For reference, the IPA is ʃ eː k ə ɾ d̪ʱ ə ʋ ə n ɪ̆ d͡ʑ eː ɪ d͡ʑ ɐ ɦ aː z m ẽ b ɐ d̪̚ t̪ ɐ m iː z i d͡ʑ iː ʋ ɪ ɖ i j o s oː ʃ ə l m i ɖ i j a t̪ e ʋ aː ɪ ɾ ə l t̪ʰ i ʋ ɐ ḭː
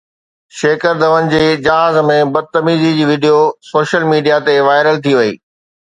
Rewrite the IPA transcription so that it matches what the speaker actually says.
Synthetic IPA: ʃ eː k ə ɾ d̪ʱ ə ʋ ə n ɪ̆ d͡ʑ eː ɪ d͡ʑ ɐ ɦ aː z m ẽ b ɐ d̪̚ t̪ ɐ m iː z i d͡ʑ iː ʋ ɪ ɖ i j o s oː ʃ ə l m iː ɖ i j a t̪ e ʋ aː ɪ ɾ ə l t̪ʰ i ʋ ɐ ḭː